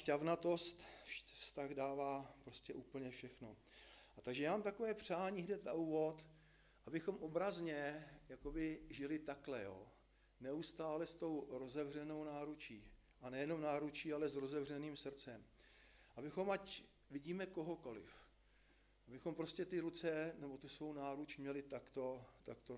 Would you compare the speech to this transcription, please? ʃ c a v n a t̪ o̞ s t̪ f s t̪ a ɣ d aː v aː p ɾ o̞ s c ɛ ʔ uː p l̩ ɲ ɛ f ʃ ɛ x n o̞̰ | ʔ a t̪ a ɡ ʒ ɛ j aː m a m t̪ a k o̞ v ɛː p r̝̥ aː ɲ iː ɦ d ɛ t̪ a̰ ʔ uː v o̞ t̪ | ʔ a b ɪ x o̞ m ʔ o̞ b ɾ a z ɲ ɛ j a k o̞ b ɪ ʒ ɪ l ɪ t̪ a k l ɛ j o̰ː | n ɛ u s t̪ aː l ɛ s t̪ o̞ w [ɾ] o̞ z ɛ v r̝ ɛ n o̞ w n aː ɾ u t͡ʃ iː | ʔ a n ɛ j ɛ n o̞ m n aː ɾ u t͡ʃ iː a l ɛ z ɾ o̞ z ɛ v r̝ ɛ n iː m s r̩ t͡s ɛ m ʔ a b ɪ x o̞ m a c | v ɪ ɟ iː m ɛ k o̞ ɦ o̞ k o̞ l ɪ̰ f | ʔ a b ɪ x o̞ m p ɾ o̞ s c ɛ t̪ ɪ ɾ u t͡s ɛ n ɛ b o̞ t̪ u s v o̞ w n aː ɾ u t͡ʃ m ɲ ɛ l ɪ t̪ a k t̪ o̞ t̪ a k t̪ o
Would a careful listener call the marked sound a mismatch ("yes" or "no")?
no